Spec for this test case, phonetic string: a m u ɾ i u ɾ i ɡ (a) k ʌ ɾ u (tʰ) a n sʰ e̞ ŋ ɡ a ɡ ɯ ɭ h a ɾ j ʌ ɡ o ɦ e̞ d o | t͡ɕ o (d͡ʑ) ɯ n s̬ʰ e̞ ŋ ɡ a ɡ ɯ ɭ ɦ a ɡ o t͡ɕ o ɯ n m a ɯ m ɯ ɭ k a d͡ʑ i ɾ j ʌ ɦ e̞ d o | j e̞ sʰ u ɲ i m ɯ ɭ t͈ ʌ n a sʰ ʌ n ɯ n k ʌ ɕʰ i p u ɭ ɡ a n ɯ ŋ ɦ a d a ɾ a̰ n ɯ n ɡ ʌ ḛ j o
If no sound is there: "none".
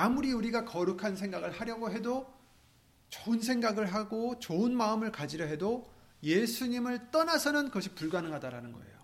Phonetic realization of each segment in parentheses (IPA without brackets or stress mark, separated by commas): a, kʰ, none